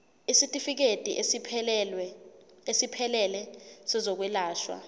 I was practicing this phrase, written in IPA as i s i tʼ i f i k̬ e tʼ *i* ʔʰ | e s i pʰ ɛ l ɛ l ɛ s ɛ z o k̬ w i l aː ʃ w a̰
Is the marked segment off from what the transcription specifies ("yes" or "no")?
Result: no